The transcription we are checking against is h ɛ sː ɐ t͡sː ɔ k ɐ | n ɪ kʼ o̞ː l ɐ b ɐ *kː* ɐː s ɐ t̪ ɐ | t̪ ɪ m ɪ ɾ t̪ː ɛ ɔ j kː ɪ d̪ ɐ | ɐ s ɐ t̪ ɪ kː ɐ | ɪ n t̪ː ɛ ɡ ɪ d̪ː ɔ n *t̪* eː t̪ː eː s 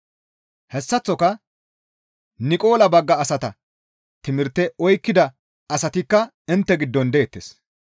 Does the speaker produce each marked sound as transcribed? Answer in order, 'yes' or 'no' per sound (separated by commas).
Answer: no, no